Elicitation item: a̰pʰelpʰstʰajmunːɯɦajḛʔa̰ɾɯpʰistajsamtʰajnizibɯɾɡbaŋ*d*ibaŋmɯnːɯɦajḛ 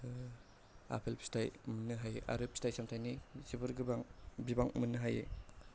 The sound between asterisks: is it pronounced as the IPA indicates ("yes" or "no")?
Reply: no